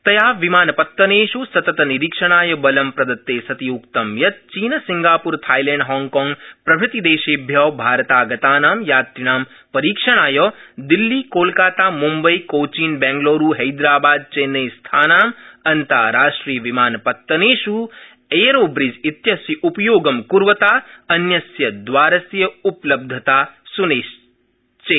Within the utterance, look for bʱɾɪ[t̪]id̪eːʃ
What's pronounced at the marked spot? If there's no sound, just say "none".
t̪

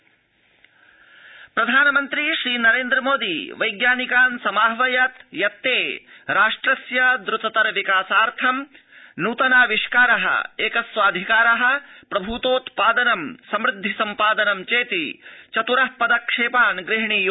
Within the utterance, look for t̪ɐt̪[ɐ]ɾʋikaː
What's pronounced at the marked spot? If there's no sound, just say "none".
ɐ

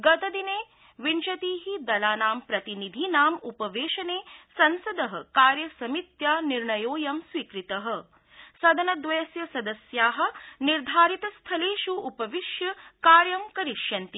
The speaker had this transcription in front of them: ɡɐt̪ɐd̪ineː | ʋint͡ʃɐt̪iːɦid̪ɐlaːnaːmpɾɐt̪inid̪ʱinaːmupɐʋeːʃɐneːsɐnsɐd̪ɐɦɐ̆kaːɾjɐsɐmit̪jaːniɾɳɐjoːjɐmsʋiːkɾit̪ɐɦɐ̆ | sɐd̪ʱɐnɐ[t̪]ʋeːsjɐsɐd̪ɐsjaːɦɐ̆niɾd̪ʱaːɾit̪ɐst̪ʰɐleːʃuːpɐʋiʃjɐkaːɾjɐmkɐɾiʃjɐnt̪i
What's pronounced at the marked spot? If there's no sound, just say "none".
d̪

